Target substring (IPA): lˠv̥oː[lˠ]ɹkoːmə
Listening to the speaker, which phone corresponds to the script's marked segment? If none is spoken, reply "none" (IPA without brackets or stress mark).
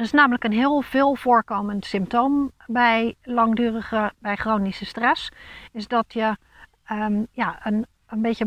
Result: none